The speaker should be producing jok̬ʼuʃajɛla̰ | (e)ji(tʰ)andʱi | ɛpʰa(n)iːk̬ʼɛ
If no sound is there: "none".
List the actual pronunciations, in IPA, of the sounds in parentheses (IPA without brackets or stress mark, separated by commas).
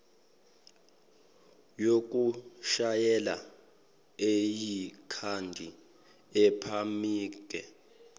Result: e, kʰ, m